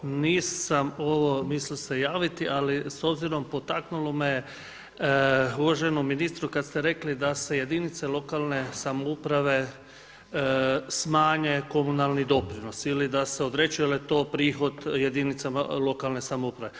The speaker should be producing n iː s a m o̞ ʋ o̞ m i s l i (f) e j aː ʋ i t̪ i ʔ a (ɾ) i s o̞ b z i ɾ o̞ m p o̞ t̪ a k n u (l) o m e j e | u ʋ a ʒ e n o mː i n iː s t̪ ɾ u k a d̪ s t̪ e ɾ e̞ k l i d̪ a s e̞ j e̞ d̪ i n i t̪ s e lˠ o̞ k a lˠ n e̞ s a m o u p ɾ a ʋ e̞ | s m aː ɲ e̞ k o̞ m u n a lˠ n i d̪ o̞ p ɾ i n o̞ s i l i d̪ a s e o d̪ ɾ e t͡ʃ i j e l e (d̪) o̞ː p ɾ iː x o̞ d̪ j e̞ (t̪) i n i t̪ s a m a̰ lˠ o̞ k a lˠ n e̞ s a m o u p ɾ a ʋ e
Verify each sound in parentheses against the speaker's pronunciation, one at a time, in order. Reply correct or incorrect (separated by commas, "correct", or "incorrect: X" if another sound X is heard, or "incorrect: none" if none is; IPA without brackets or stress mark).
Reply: incorrect: s, incorrect: l, correct, incorrect: t̪, incorrect: d̪